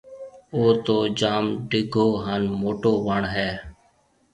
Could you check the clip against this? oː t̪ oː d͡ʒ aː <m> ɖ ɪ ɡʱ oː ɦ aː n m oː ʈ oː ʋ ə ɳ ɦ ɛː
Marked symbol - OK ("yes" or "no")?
yes